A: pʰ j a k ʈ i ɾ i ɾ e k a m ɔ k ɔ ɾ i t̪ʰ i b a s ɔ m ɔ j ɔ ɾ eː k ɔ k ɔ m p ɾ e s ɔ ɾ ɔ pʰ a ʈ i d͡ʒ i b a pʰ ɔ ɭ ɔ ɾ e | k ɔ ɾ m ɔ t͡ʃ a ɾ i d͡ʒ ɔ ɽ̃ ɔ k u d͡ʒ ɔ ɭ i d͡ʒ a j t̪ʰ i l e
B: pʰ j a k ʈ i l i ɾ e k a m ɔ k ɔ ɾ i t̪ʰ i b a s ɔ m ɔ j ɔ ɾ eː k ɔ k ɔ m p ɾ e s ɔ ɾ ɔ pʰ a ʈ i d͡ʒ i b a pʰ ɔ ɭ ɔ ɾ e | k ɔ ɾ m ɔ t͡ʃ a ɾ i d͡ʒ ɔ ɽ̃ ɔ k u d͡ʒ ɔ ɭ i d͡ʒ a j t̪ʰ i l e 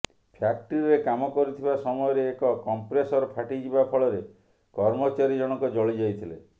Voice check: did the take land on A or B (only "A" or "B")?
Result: A